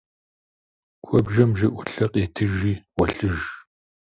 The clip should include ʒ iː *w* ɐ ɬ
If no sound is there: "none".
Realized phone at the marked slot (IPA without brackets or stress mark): w